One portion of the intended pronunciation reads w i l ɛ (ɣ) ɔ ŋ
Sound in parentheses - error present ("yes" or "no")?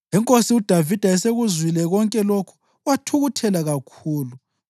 no